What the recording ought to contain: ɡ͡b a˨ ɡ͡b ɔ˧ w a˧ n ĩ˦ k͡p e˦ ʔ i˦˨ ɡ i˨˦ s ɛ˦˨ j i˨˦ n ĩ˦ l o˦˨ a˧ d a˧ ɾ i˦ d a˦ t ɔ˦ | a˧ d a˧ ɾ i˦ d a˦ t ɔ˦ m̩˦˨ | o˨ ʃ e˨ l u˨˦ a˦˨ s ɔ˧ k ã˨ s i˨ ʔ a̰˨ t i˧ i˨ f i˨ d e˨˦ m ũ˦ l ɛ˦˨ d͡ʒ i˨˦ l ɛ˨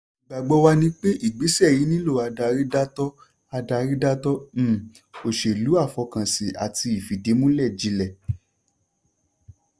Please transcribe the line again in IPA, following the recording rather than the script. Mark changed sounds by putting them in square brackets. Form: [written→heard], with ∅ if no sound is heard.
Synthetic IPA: ɡ͡b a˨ ɡ͡b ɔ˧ w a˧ n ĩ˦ k͡p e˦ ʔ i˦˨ [ɡ→ɡ͡b] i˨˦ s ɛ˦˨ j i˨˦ n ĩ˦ l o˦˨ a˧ d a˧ ɾ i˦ d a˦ t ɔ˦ | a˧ d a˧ ɾ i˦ d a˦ t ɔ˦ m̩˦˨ | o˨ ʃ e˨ l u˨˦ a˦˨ [s→f] ɔ˧ k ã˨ s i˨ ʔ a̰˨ t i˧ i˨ f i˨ d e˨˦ m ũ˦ l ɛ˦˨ d͡ʒ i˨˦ l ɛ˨